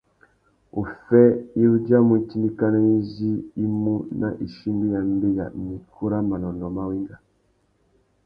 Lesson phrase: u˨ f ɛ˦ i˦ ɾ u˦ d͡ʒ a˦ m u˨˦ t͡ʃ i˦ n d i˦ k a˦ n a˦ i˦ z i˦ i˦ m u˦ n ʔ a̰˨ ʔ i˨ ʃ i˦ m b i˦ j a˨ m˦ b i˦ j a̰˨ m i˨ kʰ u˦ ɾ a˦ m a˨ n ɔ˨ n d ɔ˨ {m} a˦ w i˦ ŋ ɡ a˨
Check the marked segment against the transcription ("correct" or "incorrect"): correct